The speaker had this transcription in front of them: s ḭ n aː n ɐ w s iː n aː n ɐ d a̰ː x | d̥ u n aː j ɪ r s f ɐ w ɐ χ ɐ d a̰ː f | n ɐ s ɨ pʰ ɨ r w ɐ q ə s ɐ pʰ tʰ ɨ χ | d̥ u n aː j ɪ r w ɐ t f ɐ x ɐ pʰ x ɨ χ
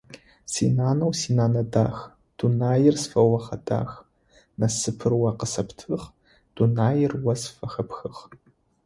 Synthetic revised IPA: s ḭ n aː n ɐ w s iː n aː n ɐ d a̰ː x | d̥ u n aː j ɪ r s f ɐ w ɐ χ ɐ d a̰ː x | n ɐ s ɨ pʰ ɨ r w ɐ q ə s ɐ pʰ tʰ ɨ χ | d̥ u n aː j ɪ r w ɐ s f ɐ x ɐ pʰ x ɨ χ